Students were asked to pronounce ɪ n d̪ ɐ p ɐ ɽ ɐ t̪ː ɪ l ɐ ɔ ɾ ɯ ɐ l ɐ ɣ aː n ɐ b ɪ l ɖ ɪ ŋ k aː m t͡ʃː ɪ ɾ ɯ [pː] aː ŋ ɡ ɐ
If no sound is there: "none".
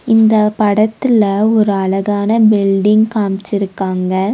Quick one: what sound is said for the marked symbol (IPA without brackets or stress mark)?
kː